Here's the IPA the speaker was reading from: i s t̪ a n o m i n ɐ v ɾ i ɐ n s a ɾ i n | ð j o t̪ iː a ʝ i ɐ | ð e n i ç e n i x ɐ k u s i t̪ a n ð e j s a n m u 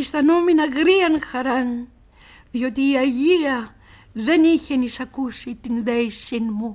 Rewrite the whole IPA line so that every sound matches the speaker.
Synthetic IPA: i s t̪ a n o m i n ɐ ɣ ɾ i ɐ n x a ɾ a n | ð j o t̪ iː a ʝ i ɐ | ð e n i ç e n i s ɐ k u s i t̪ i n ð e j s i n m u